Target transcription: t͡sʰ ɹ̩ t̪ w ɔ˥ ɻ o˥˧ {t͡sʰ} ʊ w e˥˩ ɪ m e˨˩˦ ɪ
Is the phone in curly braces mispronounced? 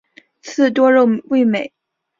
yes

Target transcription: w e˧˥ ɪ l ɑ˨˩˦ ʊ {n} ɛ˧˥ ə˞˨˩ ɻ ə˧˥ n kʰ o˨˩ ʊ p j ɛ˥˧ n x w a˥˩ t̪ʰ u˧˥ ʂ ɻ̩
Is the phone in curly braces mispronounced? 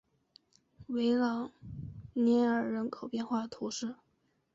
no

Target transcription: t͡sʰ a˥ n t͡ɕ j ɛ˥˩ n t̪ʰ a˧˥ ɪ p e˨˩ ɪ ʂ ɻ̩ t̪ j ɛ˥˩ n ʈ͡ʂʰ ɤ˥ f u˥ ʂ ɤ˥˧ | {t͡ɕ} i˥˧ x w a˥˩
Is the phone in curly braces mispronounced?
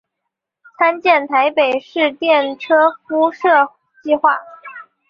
no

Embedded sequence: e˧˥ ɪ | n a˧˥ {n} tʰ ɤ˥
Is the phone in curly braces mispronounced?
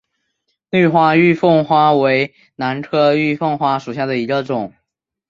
no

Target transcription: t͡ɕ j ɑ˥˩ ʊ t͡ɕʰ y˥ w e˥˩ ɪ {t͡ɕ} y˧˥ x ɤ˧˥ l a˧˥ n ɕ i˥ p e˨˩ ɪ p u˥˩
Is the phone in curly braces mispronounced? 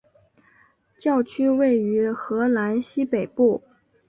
yes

